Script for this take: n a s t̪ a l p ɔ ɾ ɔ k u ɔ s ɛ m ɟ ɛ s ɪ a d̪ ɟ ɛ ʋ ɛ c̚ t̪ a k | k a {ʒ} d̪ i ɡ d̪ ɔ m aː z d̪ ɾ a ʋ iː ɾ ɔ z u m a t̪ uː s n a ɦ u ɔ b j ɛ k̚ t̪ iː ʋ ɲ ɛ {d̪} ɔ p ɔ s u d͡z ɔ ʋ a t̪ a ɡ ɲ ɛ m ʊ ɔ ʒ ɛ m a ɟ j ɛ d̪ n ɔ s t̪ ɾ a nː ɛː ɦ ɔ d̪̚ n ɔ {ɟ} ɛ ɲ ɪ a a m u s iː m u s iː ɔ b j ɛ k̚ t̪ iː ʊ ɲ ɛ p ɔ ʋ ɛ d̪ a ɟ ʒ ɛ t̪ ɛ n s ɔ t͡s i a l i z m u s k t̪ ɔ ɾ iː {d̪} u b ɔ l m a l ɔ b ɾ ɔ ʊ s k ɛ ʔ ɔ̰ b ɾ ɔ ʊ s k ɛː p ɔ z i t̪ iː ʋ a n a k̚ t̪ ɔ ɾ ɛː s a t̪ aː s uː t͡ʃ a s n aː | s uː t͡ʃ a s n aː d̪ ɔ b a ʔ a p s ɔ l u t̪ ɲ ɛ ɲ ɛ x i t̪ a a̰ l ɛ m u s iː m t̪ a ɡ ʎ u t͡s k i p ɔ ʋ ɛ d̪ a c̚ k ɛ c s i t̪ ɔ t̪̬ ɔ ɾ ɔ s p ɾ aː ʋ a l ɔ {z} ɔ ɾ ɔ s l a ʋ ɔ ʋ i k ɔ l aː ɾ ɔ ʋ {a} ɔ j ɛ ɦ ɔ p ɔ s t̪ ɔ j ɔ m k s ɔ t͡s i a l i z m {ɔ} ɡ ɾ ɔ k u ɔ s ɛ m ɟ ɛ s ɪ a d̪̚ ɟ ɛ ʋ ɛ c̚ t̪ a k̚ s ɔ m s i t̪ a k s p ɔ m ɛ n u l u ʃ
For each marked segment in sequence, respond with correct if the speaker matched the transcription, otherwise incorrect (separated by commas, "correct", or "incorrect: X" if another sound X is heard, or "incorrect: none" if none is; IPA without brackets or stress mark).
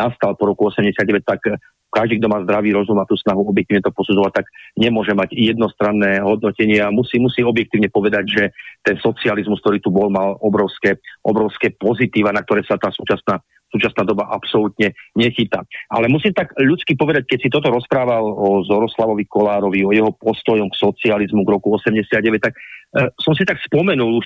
correct, incorrect: t̪, incorrect: c, incorrect: t̪, correct, incorrect: i, incorrect: u